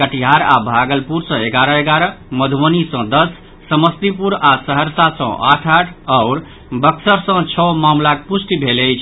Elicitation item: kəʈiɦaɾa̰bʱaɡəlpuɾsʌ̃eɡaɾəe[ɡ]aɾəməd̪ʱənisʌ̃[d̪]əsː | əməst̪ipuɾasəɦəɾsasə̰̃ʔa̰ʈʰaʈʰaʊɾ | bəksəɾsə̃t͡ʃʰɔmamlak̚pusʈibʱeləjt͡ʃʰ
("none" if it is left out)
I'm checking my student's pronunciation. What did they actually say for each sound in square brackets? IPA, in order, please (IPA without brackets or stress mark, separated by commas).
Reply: ɡ, d̪